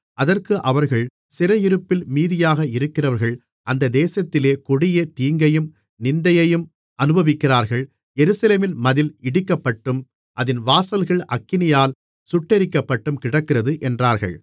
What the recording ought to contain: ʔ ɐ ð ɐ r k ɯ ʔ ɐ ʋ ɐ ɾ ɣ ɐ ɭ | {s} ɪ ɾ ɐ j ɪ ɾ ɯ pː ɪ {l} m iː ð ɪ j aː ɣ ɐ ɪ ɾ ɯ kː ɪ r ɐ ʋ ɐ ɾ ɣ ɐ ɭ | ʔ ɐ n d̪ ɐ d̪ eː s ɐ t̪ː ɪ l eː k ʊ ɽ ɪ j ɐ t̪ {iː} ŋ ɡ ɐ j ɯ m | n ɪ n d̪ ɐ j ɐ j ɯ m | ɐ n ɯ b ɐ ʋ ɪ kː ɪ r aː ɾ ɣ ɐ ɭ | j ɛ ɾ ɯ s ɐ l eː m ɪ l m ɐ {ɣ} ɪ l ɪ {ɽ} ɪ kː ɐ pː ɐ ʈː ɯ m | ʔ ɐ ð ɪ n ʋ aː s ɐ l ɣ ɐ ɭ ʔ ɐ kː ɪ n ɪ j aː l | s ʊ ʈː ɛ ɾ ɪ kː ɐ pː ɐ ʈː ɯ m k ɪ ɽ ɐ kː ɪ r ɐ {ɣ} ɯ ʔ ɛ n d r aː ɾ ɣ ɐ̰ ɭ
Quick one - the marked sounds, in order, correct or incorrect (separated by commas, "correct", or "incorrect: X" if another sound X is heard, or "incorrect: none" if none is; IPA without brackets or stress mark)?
correct, correct, correct, incorrect: ð, correct, incorrect: ð